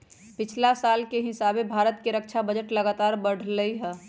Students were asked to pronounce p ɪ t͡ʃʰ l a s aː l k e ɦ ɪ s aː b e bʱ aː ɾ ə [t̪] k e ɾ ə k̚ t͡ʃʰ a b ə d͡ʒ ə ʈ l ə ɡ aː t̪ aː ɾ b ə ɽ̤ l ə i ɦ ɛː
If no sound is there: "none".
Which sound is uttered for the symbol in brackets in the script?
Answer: t̪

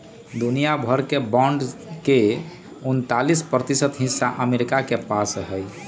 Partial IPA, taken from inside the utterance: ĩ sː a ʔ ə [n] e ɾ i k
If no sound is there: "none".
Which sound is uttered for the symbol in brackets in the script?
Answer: m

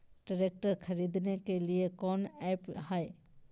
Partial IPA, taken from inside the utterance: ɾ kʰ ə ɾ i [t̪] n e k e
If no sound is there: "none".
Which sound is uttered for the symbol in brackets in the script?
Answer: d̪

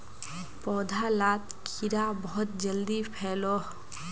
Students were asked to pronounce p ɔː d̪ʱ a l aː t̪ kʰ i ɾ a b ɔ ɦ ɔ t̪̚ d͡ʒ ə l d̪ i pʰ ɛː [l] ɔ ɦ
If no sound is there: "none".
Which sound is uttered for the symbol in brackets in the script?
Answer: l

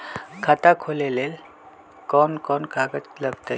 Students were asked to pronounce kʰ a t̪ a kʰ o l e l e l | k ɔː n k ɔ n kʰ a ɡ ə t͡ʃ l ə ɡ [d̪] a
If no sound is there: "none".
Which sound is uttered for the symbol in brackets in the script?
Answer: t̪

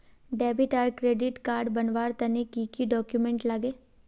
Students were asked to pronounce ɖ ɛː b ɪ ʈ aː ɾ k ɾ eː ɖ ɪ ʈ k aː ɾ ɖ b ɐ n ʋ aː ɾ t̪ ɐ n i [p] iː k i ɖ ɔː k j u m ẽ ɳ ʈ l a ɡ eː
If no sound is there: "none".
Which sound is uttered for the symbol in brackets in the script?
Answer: k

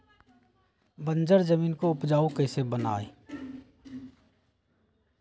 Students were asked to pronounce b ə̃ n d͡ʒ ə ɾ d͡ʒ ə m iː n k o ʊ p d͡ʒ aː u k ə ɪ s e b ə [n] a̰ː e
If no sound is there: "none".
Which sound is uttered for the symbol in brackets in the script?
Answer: n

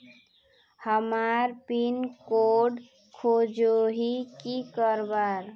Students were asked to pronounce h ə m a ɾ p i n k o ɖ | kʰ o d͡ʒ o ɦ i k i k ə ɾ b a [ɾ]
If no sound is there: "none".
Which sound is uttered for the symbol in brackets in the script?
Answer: ɾ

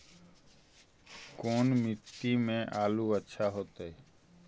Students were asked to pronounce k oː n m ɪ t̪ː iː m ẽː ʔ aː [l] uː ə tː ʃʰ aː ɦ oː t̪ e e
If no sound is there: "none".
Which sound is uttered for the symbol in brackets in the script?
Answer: l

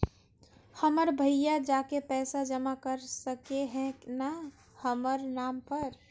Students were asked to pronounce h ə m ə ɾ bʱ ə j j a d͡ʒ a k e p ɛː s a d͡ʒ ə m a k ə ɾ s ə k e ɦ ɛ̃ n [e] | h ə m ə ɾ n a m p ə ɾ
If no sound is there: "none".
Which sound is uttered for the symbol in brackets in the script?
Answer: a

